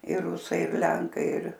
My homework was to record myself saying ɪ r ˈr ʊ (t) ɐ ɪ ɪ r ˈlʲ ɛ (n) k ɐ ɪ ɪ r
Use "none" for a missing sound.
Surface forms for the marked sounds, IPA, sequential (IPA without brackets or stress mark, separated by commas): s, ŋ